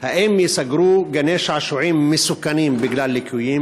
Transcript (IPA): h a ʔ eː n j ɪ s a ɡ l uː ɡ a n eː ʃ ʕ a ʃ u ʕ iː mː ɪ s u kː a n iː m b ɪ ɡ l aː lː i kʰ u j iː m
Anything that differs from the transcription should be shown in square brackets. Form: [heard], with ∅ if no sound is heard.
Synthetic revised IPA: h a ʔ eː [m] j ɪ s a ɡ [ɾ] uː ɡ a n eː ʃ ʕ a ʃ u ʕ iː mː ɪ s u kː a n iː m b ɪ ɡ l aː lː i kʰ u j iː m